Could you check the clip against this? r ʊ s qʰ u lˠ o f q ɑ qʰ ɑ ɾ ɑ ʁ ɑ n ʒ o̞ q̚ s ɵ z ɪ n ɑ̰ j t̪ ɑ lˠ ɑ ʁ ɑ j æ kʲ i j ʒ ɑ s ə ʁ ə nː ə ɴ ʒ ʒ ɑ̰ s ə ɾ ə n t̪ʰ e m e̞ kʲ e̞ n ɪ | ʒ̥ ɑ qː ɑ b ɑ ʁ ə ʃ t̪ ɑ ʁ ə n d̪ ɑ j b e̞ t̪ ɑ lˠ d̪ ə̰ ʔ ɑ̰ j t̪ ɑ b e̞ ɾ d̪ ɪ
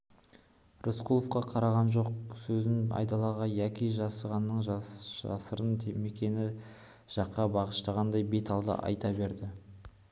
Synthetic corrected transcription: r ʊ s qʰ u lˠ o f q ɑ qʰ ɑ ɾ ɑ ʁ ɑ n ʒ o̞ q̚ s ɵ z ɪ n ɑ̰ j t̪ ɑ lˠ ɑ ʁ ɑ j æ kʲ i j ʒ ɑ s ə ʁ ɑ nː ə ɴ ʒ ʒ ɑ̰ s ə ɾ ə n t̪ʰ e m e̞ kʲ e̞ n ɪ | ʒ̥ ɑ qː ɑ b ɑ ʁ ə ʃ t̪ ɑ ʁ ɑ n d̪ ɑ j b e̞ t̪ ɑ lˠ d̪ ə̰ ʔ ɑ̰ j t̪ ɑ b e̞ ɾ d̪ ɪ